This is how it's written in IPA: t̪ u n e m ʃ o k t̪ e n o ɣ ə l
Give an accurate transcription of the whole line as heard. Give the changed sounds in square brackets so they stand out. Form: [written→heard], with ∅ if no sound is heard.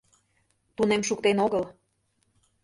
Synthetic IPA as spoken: t̪ u n e m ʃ [o→u] k t̪ e n o ɣ ə l